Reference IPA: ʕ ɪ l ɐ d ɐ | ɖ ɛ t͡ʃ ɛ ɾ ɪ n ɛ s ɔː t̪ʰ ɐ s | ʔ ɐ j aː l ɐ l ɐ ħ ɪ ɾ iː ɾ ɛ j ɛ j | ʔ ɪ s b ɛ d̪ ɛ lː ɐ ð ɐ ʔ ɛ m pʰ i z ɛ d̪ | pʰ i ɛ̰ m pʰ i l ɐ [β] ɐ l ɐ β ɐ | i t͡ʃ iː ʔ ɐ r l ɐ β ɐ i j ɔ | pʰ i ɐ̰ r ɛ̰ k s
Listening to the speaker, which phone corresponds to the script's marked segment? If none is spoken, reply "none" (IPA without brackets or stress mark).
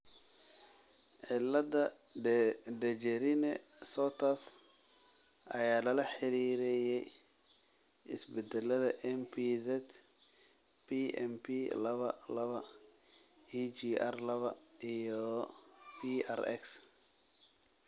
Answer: β